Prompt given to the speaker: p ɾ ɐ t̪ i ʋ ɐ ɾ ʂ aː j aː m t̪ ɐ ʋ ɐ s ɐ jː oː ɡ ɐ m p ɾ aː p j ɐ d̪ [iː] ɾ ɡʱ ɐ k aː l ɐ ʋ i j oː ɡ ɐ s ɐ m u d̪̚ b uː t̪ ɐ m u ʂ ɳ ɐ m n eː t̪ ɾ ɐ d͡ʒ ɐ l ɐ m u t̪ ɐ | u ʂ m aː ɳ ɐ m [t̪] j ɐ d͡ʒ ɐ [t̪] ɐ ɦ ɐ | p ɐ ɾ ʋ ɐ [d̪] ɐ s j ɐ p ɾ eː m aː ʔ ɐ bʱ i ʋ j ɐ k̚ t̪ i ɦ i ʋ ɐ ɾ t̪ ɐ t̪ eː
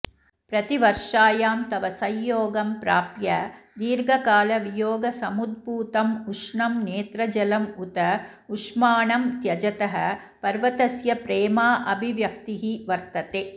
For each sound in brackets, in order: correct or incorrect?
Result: correct, correct, correct, incorrect: t̪

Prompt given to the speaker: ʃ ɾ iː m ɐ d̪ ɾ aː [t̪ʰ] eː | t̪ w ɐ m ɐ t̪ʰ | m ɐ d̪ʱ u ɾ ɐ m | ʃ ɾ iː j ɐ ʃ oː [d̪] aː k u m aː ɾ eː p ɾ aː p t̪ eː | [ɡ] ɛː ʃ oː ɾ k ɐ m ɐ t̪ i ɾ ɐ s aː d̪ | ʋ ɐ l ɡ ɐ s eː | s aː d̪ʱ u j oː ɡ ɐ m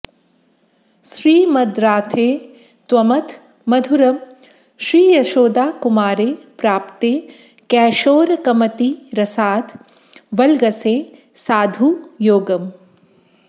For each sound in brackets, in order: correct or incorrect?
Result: correct, correct, incorrect: k

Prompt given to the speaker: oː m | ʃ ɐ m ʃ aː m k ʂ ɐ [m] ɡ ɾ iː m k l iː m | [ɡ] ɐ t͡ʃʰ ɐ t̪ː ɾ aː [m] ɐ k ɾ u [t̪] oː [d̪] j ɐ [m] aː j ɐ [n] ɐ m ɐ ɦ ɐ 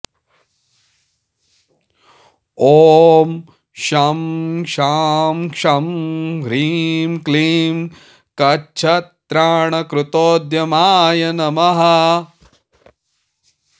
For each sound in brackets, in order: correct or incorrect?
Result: correct, incorrect: k, incorrect: ɳ, correct, correct, correct, correct

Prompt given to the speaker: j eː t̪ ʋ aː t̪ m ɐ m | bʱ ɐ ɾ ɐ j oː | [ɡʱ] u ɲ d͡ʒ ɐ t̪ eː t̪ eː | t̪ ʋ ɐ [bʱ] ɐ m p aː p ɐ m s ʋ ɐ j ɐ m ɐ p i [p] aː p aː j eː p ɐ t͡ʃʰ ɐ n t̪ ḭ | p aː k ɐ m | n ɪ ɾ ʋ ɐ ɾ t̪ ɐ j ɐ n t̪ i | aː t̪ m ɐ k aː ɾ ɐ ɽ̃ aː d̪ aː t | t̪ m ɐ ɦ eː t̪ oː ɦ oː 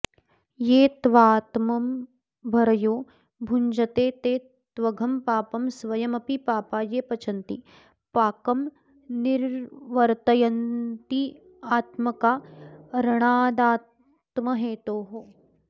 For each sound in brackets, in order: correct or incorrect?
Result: incorrect: bʱ, incorrect: ɡʱ, correct

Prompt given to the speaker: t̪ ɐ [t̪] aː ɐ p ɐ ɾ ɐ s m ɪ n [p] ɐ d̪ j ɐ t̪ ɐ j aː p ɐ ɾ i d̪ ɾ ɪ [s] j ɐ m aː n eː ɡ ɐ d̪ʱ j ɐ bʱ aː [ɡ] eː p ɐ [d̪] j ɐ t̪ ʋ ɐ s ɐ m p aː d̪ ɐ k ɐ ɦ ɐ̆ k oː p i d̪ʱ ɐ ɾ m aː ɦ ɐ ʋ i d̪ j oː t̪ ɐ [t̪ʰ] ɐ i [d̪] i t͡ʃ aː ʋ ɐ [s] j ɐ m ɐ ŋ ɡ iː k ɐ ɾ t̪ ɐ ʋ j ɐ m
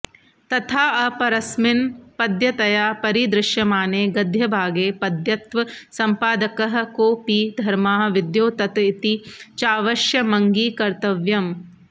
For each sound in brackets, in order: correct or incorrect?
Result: incorrect: t̪ʰ, correct, incorrect: ʃ, correct, correct, incorrect: t̪, incorrect: t̪, incorrect: ʃ

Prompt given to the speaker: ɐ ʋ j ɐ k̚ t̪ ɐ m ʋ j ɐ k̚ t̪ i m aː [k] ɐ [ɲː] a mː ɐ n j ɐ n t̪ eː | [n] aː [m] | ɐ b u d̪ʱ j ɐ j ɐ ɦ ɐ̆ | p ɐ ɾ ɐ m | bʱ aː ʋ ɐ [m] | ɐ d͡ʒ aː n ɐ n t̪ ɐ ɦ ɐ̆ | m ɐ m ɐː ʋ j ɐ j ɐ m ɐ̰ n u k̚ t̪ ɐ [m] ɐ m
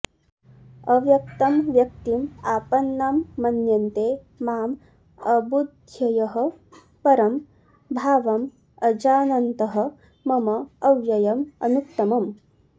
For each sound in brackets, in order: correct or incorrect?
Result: incorrect: p, incorrect: nː, incorrect: m, correct, correct, correct

